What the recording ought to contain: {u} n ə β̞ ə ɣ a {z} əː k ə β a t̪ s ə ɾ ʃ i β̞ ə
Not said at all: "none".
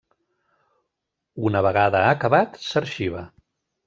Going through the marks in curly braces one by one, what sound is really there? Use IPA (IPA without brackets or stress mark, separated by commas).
u, ð